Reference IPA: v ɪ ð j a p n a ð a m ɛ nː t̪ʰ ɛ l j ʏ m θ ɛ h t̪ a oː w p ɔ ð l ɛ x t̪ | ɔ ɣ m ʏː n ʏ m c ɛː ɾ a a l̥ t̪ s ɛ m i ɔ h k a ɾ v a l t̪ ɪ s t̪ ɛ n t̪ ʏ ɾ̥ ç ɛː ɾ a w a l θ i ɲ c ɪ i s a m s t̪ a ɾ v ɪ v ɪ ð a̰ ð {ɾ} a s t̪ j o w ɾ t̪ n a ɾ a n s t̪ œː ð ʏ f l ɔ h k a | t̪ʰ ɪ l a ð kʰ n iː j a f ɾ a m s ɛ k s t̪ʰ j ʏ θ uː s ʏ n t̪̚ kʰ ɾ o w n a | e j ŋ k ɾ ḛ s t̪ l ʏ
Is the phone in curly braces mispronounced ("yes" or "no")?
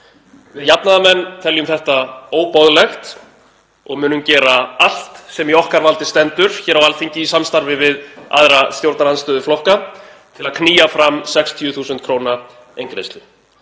no